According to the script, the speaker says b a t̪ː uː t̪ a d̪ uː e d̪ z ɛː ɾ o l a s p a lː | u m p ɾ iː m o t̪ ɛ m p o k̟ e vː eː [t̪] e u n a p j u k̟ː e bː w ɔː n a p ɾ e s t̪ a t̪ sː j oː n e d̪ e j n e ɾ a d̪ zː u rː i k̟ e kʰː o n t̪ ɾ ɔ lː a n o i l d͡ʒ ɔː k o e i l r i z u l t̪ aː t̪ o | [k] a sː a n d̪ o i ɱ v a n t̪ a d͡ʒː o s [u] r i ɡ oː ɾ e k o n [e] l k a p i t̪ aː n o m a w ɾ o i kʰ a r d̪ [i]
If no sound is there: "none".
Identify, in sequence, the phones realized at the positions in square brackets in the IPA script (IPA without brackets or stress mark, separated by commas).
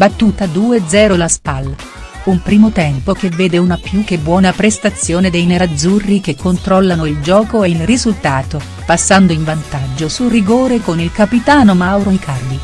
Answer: d̪, p, u, i, i